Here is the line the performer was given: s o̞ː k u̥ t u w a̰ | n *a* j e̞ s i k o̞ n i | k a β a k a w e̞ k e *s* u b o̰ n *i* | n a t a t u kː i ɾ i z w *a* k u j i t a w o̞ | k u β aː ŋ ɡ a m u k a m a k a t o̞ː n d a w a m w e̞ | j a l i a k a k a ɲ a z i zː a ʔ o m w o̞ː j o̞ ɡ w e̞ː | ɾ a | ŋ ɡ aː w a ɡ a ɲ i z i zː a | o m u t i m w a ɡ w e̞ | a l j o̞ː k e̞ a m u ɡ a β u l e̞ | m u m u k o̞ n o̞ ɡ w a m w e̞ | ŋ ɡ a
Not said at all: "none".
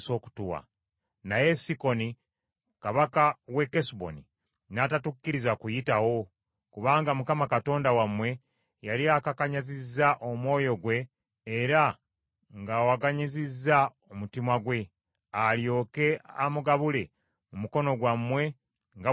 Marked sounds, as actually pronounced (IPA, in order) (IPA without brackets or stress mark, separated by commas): a, s, i, a